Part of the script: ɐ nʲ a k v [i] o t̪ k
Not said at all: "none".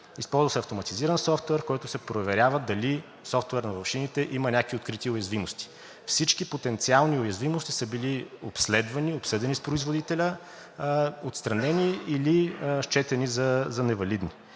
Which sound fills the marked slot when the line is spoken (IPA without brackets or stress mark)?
i